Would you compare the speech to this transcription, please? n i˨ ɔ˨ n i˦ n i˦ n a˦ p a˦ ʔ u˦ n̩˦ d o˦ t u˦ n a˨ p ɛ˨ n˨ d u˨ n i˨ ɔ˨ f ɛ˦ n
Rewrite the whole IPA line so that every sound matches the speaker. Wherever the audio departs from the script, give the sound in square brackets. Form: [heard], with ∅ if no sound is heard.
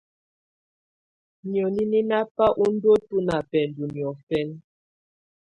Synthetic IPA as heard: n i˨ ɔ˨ n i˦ n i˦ n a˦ p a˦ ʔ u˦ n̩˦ d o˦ t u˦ n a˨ p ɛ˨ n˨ d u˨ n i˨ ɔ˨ f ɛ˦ n